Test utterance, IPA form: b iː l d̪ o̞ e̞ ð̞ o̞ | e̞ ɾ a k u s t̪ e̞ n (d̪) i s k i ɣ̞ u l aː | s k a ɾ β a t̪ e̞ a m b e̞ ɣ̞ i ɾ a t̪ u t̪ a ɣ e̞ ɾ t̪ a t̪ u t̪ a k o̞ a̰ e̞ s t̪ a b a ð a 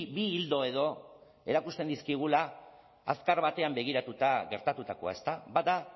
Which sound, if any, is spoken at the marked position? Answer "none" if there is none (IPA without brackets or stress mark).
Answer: d̪